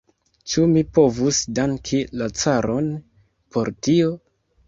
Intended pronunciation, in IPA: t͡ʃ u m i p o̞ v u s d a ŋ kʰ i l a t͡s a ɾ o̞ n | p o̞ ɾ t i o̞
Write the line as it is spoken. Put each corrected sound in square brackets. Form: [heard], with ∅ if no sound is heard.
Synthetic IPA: t͡ʃ u m i p o̞ v u s d a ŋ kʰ i l a t͡s a ɾ o̞ n | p o̞ ɾ t i o̞